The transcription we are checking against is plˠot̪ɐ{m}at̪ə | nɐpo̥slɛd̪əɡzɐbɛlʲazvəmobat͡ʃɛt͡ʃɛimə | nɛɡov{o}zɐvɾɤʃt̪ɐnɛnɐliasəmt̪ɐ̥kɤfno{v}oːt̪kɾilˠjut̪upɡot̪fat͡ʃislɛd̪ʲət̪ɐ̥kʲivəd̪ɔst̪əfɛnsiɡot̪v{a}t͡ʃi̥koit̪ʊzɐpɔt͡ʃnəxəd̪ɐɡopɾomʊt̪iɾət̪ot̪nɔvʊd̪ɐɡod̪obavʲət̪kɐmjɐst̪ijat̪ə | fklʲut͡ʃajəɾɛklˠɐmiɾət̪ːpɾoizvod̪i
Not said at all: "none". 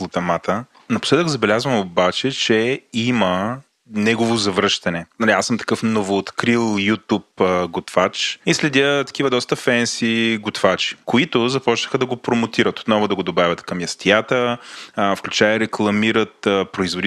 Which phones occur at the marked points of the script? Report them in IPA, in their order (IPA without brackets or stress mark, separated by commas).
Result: m, o, v, a